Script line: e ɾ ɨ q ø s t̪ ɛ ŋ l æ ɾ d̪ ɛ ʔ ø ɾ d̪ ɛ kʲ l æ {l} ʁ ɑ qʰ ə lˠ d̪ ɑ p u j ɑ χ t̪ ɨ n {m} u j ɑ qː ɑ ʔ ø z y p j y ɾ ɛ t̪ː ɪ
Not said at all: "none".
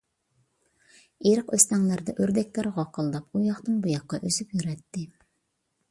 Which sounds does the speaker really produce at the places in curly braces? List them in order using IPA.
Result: ɾ, b

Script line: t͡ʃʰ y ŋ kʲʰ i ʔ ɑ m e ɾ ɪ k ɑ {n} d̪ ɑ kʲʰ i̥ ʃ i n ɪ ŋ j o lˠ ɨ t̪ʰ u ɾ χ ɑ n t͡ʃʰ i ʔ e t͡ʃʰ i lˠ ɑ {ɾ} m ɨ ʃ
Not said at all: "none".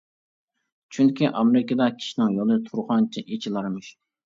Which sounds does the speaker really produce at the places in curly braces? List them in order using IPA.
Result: none, ɾ

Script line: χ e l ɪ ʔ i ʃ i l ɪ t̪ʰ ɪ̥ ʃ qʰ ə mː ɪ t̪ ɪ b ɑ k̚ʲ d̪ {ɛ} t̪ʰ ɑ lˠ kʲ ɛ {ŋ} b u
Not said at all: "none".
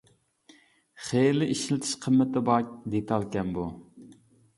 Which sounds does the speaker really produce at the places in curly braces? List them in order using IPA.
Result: e, n

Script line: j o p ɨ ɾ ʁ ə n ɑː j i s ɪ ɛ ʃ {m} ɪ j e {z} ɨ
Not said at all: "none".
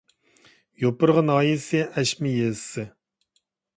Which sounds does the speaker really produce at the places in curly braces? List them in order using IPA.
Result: m, s

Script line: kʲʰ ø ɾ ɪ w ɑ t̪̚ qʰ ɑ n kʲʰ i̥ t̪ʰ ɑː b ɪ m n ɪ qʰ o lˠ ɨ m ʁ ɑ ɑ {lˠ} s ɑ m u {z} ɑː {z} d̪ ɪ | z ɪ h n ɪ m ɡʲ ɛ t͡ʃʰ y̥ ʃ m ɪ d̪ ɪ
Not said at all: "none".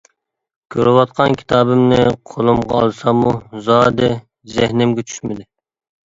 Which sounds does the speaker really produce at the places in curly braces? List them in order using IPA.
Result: lˠ, z, none

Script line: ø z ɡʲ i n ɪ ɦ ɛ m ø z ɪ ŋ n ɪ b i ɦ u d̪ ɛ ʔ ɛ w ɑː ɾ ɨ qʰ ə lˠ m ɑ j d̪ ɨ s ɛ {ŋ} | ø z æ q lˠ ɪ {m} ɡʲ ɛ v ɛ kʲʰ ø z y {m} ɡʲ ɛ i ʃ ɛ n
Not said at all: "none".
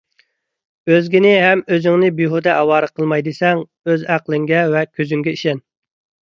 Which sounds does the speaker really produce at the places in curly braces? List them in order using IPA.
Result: ŋ, ŋ, ŋ

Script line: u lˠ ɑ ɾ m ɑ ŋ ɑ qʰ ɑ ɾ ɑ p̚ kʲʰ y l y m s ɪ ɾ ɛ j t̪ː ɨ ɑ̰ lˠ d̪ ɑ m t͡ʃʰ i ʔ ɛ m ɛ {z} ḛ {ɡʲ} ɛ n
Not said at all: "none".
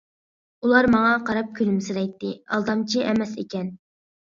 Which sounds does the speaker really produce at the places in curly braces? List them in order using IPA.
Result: s, kʲ

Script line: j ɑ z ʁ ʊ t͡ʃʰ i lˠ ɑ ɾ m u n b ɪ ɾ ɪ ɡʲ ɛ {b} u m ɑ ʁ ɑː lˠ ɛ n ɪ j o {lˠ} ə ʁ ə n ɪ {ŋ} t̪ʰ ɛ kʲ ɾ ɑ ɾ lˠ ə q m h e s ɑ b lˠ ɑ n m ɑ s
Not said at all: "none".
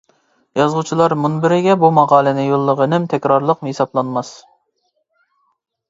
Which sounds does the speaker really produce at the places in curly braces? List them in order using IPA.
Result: b, lˠː, m

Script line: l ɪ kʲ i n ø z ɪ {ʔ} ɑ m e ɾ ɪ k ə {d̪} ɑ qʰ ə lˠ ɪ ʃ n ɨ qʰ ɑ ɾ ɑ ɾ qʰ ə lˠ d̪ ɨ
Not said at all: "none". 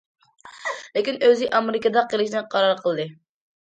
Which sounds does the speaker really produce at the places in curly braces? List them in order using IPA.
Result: ʔ, d̪

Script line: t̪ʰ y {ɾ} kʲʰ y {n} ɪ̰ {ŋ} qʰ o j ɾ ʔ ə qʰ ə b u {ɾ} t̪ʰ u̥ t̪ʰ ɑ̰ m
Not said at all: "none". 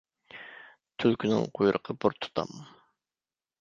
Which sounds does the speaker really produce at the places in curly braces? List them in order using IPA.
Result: l, n, ŋ, ɾ

